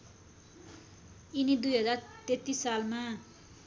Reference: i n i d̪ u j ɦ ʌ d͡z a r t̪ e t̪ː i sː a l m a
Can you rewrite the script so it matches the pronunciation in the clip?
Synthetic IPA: i n i d̪ u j ɦ ʌ d͡z a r t̪ e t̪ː i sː a l m a